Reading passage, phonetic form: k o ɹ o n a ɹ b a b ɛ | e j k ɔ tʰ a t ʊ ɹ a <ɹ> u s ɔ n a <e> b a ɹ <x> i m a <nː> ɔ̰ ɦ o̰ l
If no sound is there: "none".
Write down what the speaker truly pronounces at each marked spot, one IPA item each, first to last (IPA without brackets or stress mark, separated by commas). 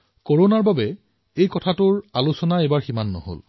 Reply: l, e, x, nː